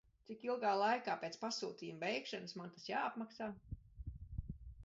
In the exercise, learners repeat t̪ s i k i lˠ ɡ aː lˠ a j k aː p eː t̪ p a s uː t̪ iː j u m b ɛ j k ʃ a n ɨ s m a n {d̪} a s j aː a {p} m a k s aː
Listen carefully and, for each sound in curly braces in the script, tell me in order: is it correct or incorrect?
incorrect, correct

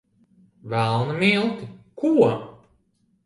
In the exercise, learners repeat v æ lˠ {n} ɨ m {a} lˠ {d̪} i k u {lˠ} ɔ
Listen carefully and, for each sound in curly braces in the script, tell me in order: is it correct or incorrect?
correct, incorrect, incorrect, incorrect

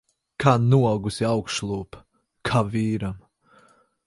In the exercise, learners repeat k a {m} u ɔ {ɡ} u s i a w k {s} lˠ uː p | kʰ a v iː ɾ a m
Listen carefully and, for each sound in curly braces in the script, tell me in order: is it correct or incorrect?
incorrect, correct, incorrect

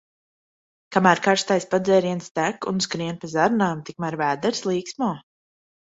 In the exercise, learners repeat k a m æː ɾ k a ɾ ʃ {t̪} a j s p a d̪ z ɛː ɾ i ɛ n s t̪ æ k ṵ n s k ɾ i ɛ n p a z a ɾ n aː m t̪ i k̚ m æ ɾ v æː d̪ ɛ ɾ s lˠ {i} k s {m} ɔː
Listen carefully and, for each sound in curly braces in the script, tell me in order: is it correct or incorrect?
correct, incorrect, correct

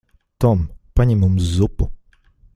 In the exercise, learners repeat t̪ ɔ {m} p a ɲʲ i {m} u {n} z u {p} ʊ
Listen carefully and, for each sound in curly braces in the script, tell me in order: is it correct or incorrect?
correct, correct, incorrect, correct

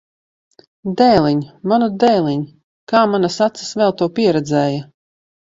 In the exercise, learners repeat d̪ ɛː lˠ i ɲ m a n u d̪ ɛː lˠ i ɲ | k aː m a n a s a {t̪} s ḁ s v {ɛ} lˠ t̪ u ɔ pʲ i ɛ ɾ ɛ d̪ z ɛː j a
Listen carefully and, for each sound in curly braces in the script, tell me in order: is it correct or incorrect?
correct, correct

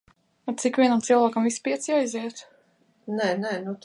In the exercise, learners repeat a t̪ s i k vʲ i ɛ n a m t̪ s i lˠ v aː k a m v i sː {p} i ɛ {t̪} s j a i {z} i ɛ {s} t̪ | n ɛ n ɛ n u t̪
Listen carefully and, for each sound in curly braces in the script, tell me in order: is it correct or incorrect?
correct, correct, correct, incorrect

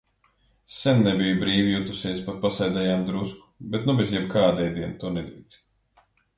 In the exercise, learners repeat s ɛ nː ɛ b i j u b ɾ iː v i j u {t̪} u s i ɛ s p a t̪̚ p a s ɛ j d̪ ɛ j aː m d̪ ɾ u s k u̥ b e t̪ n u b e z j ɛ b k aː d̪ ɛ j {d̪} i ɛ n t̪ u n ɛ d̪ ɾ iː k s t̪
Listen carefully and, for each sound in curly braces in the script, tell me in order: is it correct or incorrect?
correct, correct

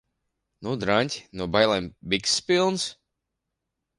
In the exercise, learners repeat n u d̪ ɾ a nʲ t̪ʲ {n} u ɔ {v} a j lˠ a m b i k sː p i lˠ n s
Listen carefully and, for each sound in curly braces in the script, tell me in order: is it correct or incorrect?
correct, incorrect

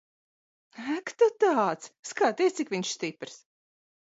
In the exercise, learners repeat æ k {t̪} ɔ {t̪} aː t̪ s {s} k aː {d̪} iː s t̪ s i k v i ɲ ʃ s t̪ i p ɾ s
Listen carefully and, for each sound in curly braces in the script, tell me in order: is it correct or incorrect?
correct, correct, correct, incorrect

